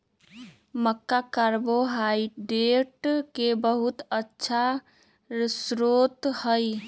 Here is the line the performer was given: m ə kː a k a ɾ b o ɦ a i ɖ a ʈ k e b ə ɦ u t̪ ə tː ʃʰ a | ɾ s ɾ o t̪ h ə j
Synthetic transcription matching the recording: m ə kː a k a ɾ b o ɦ a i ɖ e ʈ k e b ə ɦ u t̪ ə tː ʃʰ a | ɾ s ɾ o t̪ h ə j